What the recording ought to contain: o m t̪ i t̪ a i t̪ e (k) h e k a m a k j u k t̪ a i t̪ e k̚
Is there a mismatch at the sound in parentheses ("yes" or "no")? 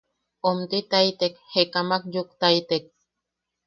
no